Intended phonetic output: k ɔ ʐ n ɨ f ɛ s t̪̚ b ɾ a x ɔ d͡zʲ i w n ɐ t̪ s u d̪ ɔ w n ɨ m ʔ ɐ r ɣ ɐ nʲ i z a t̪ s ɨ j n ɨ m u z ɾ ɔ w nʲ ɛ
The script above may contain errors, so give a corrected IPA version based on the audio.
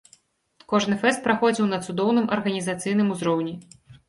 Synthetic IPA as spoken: k ɔ ʐ n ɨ f ɛ s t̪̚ p ɾ a x ɔ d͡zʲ i w n ɐ t̪ s u d̪ ɔ w n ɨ m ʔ ɐ r ɣ ɐ nʲ i z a t̪ s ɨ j n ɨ m u z ɾ ɔ w nʲ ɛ